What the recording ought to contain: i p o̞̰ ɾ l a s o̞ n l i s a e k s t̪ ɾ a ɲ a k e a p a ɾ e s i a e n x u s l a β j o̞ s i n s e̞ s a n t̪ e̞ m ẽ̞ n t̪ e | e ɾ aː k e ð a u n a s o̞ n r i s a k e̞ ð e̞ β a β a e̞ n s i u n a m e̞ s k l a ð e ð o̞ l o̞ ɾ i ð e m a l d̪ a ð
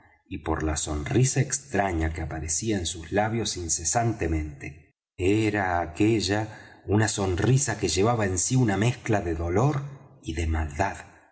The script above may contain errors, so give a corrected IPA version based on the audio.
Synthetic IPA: i p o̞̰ ɾ l a s o̞ n r i s a e k s t̪ ɾ a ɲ a k e a p a ɾ e s i a e n s u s l a β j o̞ s i n s e̞ s a n t̪ e̞ m ẽ̞ n t̪ e | e ɾ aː k e ʒ a u n a s o̞ n r i s a k e̞ ʒ e̞ β a β a e̞ n s i u n a m e̞ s k l a ð e ð o̞ l o̞ ɾ i ð e m a l d̪ a ð

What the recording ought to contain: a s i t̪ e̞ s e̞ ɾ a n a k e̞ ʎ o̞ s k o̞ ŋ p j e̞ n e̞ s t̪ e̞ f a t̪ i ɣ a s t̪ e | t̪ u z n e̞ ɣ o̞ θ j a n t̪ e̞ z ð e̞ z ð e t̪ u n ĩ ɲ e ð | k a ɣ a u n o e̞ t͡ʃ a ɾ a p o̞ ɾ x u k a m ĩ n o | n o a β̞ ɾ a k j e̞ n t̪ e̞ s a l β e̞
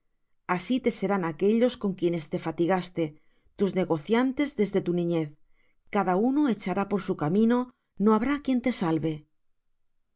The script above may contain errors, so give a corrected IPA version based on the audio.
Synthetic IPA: a s i t̪ e̞ s e̞ ɾ a n a k e̞ ʎ o̞ s k o̞ ŋ k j e̞ n e̞ s t̪ e̞ f a t̪ i ɣ a s t̪ e | t̪ u z n e̞ ɣ o̞ θ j a n t̪ e̞ z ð e̞ z ð e t̪ u n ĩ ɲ e θ | k a ð a u n o e̞ t͡ʃ a ɾ a p o̞ ɾ s u k a m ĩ n o | n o a β̞ ɾ a k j e̞ n t̪ e̞ s a l β e̞

